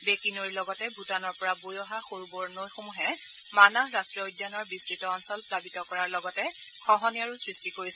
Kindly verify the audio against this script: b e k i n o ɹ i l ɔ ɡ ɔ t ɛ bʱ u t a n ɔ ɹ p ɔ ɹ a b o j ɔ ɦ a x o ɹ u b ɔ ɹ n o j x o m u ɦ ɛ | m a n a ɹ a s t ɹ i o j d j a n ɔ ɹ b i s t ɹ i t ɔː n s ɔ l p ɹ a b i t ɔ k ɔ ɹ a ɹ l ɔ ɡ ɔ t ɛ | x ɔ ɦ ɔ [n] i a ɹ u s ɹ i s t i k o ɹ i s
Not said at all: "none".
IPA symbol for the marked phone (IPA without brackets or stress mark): n